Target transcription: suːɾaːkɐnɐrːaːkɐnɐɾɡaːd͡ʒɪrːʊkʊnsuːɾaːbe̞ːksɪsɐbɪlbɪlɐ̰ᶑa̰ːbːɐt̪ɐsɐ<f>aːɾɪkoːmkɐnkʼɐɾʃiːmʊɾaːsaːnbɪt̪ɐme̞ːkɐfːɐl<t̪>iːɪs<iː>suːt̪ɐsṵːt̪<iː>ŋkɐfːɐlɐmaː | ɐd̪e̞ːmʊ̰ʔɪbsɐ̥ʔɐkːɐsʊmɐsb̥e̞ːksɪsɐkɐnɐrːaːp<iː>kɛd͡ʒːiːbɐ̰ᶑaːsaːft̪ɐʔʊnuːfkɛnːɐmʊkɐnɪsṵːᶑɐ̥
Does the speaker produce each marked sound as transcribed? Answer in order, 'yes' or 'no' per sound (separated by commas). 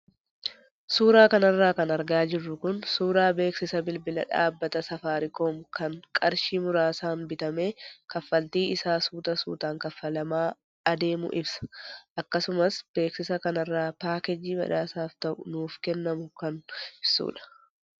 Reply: yes, yes, no, no, no